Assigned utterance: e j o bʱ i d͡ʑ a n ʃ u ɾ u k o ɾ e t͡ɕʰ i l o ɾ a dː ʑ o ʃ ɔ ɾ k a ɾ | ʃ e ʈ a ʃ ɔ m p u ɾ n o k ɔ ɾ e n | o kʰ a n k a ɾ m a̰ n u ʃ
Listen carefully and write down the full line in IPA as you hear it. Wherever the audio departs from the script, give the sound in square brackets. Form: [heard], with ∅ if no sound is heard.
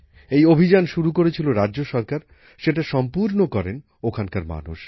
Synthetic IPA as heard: e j o bʱ i d͡ʑ a n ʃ u ɾ u k o ɾ e t͡ɕʰ i l o ɾ a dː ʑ o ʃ ɔ ɾ k a ɾ | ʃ e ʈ a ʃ ɔ m p u ɾ n o k ɔ ɾ e n | o kʰ a n k a ɾ m a̰ n u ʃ